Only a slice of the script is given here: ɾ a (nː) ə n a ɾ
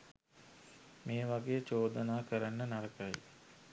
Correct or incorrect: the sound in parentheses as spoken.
correct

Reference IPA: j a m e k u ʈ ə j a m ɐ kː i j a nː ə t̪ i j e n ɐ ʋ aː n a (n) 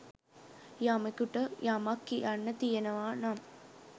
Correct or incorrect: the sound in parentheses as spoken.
incorrect: m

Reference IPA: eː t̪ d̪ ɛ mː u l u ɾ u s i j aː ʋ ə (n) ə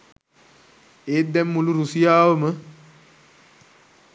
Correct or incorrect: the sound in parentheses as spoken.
incorrect: m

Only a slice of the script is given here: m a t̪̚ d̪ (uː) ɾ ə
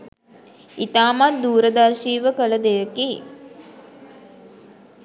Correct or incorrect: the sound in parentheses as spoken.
correct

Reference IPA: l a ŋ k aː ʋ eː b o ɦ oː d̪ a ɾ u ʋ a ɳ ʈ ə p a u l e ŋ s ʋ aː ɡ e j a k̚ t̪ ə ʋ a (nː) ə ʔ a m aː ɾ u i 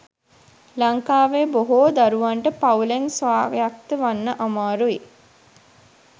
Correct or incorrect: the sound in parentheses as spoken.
correct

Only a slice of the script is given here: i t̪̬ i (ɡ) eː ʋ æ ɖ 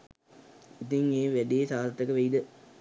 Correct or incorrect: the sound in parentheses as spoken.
incorrect: ŋ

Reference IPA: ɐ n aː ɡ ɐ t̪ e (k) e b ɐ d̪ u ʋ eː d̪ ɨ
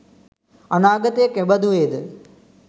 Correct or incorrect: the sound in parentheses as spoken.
correct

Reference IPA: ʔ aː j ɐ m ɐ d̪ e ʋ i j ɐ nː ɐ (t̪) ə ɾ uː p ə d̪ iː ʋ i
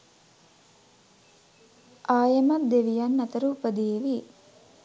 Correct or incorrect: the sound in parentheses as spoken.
correct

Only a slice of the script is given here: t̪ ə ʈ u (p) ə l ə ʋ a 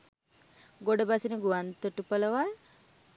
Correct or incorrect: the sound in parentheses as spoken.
correct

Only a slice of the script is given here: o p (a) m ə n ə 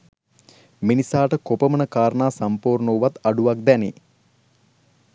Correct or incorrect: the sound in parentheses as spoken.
incorrect: ə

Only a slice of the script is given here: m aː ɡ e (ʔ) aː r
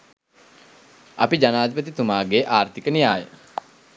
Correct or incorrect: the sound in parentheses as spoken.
correct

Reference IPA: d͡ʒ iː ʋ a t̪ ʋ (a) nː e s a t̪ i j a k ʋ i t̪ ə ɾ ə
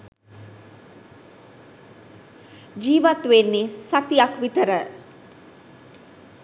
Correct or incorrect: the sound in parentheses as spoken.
incorrect: e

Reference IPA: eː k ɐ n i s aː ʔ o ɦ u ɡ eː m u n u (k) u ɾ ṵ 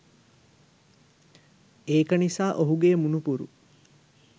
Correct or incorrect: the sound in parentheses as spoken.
incorrect: p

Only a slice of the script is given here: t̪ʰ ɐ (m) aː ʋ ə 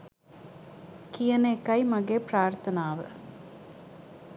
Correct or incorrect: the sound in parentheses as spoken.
incorrect: n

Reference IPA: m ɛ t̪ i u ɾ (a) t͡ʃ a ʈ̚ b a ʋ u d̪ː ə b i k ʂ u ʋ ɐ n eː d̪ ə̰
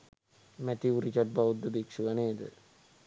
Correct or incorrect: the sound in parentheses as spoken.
incorrect: i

